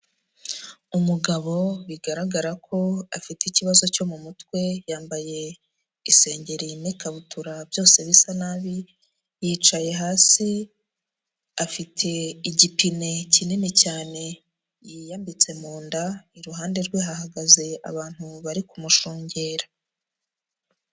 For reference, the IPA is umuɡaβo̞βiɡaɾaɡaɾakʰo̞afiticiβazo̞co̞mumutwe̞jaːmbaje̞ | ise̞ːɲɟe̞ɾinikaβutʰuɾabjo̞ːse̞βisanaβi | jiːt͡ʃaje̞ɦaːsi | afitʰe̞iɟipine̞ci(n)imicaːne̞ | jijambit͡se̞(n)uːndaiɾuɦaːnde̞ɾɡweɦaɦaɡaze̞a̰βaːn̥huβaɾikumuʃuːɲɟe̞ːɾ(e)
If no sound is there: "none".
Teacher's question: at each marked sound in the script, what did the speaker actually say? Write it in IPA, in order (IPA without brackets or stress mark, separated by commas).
n, m, a